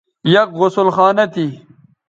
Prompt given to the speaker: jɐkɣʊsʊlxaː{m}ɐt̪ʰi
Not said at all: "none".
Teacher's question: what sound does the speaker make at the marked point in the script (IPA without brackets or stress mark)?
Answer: n